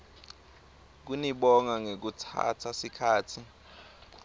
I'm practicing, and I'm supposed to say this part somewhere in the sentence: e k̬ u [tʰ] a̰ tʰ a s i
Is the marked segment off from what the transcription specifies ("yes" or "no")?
no